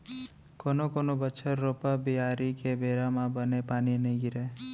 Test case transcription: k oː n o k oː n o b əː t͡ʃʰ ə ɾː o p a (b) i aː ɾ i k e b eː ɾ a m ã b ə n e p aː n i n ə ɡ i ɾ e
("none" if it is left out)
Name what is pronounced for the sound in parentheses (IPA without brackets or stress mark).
b